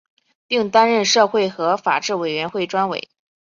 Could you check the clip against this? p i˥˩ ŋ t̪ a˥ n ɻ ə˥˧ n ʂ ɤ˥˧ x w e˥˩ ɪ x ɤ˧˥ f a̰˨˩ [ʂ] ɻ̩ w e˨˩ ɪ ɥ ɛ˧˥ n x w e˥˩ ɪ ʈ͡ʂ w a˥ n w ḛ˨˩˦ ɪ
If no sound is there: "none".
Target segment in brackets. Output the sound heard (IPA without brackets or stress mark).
ʈ͡ʂ